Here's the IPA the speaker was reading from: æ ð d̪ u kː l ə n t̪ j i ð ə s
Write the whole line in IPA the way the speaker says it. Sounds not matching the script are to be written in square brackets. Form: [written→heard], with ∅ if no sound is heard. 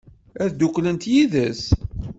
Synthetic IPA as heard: æ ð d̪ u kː l ə n t̪ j i ð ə s